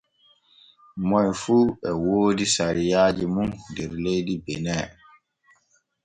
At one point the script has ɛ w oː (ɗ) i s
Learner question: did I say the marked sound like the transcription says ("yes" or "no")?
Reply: no